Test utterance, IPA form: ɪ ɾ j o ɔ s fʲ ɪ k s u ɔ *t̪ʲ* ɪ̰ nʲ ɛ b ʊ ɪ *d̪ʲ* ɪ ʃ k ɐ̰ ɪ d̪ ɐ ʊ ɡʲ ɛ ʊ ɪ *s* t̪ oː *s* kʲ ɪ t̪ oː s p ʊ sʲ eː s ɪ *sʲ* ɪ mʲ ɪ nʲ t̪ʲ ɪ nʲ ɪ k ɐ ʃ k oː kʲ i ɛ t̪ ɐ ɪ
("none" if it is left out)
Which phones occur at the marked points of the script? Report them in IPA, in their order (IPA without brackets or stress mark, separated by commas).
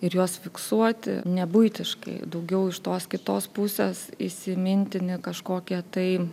t̪ʲ, t̪ʲ, ʃ, s, sʲ